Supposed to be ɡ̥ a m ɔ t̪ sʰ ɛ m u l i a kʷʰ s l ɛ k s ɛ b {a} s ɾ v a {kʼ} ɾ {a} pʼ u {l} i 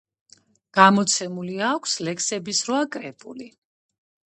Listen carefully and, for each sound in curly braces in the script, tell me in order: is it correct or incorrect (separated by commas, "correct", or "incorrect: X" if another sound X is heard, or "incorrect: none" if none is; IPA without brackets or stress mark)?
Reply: incorrect: i, correct, incorrect: ɛ, correct